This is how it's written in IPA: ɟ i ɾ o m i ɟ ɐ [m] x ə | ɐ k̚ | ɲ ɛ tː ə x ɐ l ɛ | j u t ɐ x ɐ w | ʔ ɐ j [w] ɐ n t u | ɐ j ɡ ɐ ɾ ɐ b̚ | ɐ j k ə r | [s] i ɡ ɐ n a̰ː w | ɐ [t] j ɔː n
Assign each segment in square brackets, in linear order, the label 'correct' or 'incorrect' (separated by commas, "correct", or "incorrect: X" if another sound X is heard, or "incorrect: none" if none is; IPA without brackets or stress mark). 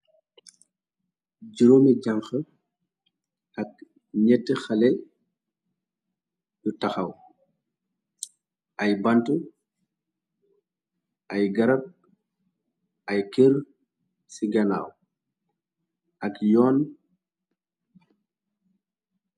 incorrect: ŋ, incorrect: b, correct, incorrect: k